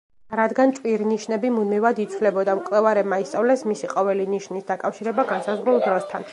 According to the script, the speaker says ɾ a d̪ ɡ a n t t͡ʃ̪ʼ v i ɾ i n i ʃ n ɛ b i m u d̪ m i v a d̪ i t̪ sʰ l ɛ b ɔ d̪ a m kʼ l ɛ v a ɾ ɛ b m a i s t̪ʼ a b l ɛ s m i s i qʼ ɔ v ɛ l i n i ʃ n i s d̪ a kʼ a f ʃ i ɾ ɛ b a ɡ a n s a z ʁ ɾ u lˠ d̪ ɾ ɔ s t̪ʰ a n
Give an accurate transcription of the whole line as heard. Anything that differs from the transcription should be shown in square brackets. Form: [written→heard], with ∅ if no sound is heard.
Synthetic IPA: ɾ a d̪ ɡ a n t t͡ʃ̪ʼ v i ɾ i n i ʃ n ɛ b i m u d̪ m i v a d̪ i t̪ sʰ l ɛ b ɔ d̪ a m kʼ l ɛ v a ɾ ɛ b m a i s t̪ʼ a [b→v] l ɛ s m i s i qʼ ɔ v ɛ l i n i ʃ n i s d̪ a kʼ a f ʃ i ɾ ɛ b a ɡ a n s a z ʁ ɾ u lˠ d̪ ɾ ɔ s t̪ʰ a n